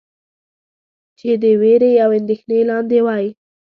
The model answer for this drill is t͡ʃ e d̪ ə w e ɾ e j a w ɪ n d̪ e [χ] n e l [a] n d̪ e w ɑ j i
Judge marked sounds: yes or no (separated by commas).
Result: no, no